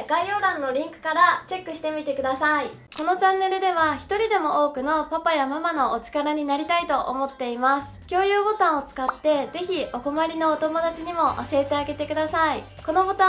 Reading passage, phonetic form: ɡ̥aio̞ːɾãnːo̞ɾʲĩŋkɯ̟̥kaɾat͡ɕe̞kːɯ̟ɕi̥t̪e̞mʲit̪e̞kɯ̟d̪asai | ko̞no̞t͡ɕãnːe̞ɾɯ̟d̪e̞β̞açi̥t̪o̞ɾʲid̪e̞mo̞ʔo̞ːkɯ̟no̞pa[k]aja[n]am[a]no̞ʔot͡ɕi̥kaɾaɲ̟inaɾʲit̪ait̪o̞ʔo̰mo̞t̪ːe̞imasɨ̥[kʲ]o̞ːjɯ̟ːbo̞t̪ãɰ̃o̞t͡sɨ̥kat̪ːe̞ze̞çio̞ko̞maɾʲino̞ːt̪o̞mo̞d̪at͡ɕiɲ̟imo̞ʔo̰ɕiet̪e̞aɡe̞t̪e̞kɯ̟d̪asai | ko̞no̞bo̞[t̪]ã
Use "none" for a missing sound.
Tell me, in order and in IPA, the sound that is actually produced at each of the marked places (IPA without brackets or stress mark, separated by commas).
p, m, a, kʲ, t̪